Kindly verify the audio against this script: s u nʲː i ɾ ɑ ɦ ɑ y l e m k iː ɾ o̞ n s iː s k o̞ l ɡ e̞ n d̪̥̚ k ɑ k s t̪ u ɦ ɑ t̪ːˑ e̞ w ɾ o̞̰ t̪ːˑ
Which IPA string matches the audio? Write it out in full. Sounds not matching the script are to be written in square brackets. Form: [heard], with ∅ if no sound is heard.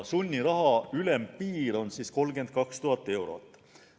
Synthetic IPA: s u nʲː i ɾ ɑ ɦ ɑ y l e m [p] iː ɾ o̞ n s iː s k o̞ l ɡ e̞ n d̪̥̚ k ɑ k s t̪ u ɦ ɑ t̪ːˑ e̞ w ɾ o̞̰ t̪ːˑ